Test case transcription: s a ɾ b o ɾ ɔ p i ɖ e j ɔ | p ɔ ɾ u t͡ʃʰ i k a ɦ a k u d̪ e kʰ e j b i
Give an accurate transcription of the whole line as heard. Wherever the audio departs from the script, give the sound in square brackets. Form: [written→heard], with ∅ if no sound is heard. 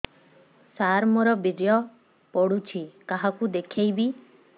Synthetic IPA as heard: s a ɾ [b→m] o ɾ ɔ [p→b] i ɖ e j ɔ | p ɔ [ɾ→ɽ] u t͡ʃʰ i k a ɦ a k u d̪ e kʰ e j b i